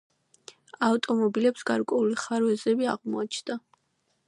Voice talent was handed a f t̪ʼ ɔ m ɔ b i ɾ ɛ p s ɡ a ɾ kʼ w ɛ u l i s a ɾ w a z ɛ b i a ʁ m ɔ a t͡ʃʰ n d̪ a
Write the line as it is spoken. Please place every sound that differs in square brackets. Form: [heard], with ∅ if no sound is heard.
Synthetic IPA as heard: a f t̪ʼ ɔ m ɔ b i [l] ɛ p s ɡ a ɾ kʼ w ɛ u l i [χ] a ɾ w [ɛ] z ɛ b i a ʁ m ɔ a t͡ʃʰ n d̪ a